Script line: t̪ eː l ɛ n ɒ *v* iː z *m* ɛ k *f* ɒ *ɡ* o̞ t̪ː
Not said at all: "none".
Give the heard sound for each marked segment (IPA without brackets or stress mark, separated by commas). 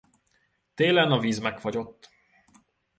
v, m, f, ɟ